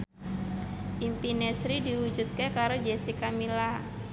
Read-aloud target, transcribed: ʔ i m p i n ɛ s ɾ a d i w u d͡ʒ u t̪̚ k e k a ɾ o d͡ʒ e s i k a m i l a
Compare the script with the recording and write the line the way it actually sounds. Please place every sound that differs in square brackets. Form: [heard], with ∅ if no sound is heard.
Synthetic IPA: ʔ i m p i n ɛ s ɾ [i] d i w u d͡ʒ u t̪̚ k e k a ɾ o d͡ʒ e s i k a m i l a